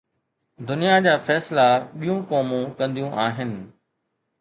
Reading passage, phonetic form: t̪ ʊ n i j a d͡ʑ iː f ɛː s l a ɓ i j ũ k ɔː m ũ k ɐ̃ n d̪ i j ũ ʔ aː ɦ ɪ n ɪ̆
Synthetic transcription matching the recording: d̪ ʊ n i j a d͡ʑ aː f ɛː s l a ɓ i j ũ k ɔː m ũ k ɐ̃ n d̪ i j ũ ʔ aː ɦ ɪ n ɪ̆